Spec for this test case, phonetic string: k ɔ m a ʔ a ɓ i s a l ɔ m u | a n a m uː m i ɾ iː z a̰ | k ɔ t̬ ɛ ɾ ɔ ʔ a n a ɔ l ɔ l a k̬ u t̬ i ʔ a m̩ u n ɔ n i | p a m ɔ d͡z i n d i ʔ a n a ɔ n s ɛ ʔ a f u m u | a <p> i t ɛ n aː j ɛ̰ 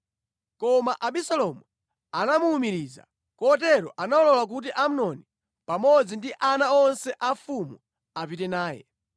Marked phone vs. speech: correct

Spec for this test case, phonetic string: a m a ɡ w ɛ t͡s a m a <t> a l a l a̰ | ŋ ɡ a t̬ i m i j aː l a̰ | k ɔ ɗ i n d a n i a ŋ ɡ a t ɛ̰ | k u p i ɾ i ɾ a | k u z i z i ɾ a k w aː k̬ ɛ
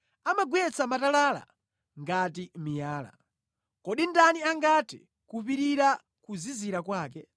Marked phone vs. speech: correct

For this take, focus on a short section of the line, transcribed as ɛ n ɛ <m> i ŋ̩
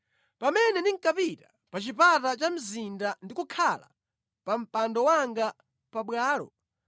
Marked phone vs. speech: incorrect: n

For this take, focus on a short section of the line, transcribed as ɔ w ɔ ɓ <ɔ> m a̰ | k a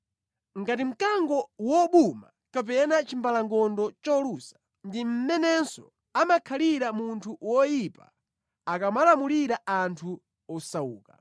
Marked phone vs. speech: incorrect: u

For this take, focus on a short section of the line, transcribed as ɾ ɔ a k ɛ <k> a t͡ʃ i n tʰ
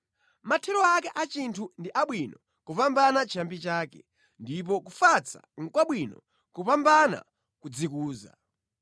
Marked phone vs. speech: incorrect: ʔ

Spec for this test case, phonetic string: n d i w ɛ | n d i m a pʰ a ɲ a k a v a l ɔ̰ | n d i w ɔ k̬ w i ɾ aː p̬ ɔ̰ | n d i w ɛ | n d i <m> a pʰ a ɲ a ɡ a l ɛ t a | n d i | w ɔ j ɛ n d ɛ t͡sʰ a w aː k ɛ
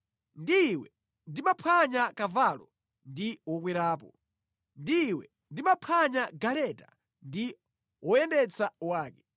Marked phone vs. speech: correct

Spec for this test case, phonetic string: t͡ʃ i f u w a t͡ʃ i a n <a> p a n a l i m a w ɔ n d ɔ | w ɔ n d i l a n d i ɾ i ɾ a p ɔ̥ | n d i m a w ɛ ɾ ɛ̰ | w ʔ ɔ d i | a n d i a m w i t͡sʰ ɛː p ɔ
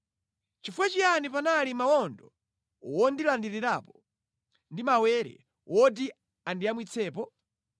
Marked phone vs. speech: incorrect: i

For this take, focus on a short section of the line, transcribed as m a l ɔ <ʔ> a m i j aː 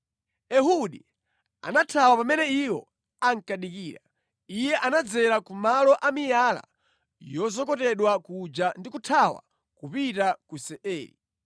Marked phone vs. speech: correct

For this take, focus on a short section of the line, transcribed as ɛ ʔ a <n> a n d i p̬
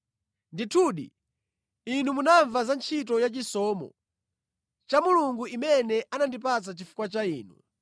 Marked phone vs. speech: correct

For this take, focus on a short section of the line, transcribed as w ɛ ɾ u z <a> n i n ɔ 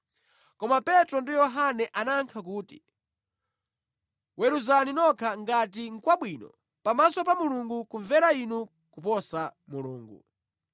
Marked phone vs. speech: correct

